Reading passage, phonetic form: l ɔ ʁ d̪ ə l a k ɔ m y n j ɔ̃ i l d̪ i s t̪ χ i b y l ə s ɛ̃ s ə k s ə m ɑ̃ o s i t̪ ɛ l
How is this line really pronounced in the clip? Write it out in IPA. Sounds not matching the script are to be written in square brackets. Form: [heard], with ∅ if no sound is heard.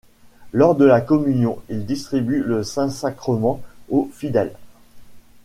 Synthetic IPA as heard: l ɔ ʁ d̪ ə l a k ɔ m y n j ɔ̃ i l d̪ i s t̪ χ i b y l ə s ɛ̃ s [a] k [χ] ə m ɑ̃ o [f] i [d̪] ɛ l